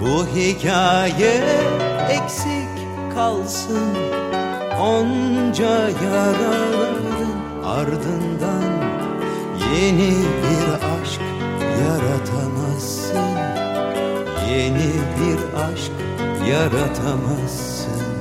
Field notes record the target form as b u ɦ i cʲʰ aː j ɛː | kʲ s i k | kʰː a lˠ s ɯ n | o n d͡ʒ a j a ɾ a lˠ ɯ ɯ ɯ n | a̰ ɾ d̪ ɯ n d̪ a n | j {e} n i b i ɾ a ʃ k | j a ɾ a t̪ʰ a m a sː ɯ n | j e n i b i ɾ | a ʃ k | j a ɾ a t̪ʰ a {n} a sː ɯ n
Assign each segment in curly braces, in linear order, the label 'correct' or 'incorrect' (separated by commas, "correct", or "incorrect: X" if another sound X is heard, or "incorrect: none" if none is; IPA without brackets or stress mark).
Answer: correct, incorrect: m